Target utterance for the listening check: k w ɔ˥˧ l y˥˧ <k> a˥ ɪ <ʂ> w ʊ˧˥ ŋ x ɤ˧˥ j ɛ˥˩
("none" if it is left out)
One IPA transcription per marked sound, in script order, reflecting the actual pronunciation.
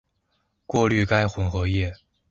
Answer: k, x

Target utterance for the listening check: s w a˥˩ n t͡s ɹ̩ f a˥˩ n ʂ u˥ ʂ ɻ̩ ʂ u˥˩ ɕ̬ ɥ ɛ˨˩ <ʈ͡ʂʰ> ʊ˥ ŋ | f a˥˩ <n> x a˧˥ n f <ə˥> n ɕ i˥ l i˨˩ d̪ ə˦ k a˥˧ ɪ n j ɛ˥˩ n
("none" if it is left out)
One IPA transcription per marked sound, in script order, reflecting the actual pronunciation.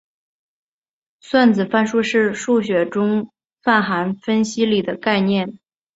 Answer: ʈ͡ʂ, n, ə˥

